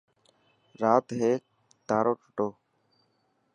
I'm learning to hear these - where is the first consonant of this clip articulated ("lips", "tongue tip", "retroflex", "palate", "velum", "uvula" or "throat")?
tongue tip